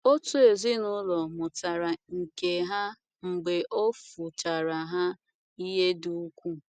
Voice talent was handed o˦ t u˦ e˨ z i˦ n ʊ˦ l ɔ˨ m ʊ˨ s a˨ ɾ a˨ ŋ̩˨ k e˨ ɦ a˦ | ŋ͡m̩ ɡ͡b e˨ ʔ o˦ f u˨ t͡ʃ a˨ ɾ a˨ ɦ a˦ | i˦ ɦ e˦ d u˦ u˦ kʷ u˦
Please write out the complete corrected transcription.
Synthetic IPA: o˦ t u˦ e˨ z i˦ n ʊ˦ l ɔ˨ m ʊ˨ t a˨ ɾ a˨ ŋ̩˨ k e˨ ɦ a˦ | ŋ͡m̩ ɡ͡b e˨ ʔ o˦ f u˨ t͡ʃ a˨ ɾ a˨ ɦ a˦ | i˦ ɦ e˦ d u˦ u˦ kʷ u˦